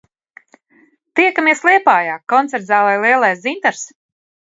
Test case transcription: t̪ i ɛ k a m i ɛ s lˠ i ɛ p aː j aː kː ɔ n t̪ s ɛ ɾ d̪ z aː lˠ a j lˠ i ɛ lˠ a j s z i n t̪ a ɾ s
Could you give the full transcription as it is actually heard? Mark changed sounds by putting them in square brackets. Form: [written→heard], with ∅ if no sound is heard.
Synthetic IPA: t̪ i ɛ k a m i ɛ s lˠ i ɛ p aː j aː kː ɔ n t̪ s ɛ ɾ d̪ z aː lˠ a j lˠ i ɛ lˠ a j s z i n t̪ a ɾ s

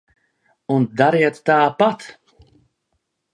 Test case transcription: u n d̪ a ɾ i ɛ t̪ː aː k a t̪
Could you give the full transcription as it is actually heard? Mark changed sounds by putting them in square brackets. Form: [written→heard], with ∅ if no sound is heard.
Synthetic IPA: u n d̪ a ɾ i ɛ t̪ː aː [k→p] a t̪

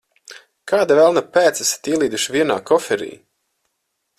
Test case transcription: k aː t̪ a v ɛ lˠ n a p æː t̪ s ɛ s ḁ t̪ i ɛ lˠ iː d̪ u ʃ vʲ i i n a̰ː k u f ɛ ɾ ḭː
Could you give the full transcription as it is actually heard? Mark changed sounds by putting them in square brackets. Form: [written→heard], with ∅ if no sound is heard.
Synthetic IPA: k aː [t̪→d̪] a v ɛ lˠ n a p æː t̪ s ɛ s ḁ t̪ i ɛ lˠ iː d̪ u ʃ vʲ i [i→ɛ] n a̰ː k [u→ɔ] f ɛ ɾ ḭː

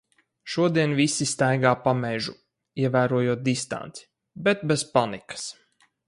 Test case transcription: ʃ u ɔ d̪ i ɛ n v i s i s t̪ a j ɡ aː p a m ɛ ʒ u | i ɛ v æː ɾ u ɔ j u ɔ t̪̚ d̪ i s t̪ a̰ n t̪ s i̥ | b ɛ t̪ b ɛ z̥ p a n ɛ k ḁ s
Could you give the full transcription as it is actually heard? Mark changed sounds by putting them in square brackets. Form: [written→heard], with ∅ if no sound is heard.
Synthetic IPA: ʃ u ɔ d̪ i ɛ n v i s i s t̪ a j ɡ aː p a m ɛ ʒ u | i ɛ v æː ɾ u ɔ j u ɔ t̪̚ d̪ i s t̪ a̰ n t̪ s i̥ | b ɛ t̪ b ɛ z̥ p a n [ɛ→i] k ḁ s

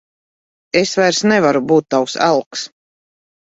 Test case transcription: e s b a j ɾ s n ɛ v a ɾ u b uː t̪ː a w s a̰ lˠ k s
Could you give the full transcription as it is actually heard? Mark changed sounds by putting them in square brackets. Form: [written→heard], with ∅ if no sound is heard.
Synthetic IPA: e s [b→v] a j ɾ s n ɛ v a ɾ u b uː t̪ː a w s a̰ lˠ k s

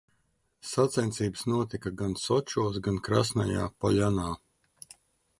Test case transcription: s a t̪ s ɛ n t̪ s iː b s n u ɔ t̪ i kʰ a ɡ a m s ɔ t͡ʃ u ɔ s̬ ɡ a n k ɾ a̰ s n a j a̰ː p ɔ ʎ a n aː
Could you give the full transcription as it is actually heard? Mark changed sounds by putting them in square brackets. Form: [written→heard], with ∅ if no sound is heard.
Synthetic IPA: s a t̪ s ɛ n t̪ s iː b s n u ɔ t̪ i [kʰ→k] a ɡ a [m→n] s ɔ t͡ʃ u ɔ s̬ ɡ a n k ɾ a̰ s n a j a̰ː p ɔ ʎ a n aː

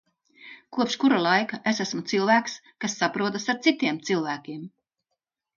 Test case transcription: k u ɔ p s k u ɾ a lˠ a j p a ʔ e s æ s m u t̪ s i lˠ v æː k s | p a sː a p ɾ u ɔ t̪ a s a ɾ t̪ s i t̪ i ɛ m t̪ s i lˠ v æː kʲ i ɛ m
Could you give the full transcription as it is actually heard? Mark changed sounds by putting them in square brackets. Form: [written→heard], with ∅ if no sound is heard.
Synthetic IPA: k u ɔ p [s→ʃ] k u ɾ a lˠ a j [p→k] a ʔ e s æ s m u t̪ s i lˠ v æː k s | [p→k] a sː a p ɾ u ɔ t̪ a s a ɾ t̪ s i t̪ i ɛ m t̪ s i lˠ v æː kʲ i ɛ m

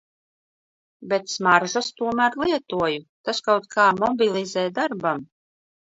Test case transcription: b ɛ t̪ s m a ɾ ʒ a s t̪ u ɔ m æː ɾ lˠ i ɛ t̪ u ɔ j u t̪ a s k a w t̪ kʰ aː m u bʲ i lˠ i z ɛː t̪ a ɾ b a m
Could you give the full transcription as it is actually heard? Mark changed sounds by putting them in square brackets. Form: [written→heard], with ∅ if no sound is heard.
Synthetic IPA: b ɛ t̪ s m a ɾ ʒ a s t̪ u ɔ m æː ɾ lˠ i ɛ t̪ u ɔ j u t̪ a s k a w t̪ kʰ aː m [u→ɔ] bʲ i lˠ i z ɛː [t̪→d̪] a ɾ b a m

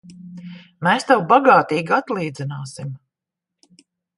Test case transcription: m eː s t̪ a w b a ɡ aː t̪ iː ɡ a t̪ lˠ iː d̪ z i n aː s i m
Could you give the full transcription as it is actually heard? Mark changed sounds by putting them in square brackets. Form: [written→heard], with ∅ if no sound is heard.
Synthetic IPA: m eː s t̪ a w b a ɡ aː t̪ iː ɡ a t̪ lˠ iː d̪ z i n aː s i m

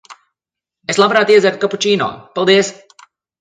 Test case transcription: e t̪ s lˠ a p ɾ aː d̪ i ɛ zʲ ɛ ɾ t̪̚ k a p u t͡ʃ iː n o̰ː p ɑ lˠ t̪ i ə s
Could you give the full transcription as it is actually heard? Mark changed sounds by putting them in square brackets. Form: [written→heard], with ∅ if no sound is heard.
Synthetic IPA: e [t̪→∅] s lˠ a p ɾ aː [d̪→t̪] i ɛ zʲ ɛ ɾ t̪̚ k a p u t͡ʃ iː n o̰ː p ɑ lˠ [t̪→d̪] i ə s

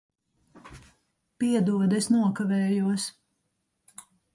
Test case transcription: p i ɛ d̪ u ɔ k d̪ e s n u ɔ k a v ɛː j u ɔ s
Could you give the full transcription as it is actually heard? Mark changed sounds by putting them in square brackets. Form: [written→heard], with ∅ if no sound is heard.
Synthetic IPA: p i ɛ d̪ u ɔ [k→∅] d̪ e s n u ɔ k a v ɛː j u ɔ s

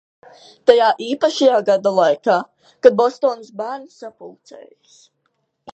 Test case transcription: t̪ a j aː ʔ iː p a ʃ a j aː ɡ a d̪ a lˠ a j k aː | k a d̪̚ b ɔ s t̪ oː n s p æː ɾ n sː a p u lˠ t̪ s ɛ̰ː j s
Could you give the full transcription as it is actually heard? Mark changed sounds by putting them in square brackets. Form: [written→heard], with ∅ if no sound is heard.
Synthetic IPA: t̪ a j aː ʔ iː p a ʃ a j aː ɡ a d̪ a lˠ a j k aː | k a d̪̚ b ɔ s t̪ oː n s [p→b] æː ɾ n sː a p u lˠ t̪ s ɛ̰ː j s

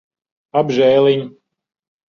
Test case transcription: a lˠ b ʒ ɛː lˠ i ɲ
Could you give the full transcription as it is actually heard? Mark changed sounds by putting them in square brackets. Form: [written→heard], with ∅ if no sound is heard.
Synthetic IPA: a [lˠ→∅] b ʒ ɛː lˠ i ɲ

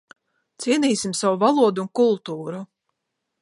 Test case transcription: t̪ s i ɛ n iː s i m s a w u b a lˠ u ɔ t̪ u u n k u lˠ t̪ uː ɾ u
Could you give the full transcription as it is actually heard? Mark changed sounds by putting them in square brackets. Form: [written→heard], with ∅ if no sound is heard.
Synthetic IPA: t̪ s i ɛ n iː s i m s a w u [b→v] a lˠ u ɔ [t̪→d̪] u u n k u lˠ t̪ uː ɾ u

